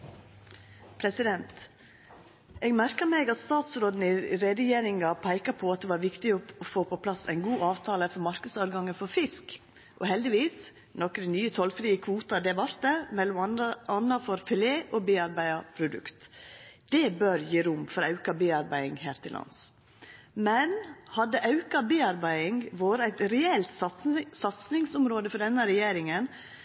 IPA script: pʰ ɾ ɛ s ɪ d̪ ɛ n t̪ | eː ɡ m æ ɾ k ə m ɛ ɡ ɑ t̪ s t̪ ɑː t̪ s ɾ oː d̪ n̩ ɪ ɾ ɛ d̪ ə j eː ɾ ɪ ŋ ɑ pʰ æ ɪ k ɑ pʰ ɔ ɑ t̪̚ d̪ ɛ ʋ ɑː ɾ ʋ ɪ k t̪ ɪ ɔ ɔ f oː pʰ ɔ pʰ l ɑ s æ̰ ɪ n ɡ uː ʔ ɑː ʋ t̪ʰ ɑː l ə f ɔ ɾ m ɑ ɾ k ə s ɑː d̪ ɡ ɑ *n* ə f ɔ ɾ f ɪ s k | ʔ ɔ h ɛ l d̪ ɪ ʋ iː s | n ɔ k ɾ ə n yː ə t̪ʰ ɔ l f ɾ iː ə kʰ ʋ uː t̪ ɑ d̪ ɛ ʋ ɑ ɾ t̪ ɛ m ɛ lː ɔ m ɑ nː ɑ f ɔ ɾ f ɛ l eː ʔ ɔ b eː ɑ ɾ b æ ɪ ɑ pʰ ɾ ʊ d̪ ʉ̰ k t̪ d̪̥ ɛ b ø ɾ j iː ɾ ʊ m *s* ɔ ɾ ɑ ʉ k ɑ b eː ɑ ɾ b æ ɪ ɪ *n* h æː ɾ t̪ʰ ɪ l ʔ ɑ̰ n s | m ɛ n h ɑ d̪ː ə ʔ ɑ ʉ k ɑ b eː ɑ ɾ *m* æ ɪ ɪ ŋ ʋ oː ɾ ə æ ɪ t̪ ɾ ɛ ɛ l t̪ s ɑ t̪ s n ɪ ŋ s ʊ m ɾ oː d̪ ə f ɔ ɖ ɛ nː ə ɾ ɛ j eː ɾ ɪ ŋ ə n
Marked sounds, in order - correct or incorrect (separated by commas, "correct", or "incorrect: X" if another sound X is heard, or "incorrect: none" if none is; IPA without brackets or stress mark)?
incorrect: ŋ, incorrect: f, incorrect: ŋ, incorrect: b